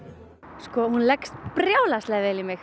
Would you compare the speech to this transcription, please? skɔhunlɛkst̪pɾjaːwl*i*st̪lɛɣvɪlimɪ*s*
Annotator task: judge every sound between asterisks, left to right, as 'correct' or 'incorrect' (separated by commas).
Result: incorrect, incorrect